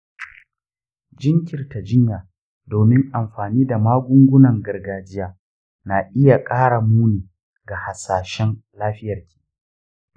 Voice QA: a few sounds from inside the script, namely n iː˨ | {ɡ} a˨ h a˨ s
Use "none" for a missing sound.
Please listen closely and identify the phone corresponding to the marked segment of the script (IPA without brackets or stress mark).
ɡ